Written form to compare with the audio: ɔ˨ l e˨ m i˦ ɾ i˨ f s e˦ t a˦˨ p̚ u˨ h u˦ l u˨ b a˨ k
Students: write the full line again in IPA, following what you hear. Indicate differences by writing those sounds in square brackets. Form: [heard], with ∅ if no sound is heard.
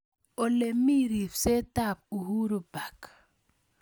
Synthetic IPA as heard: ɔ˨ l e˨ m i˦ ɾ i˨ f s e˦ t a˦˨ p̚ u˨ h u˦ [ɾ] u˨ b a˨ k